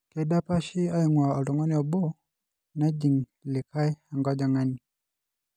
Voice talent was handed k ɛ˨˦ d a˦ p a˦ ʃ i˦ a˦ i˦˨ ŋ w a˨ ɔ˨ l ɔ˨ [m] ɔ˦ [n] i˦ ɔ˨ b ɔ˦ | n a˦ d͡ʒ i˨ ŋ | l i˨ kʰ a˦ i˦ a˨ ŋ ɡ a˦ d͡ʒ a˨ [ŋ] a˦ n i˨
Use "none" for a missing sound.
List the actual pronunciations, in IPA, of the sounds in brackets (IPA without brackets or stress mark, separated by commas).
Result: ŋ, n, ŋ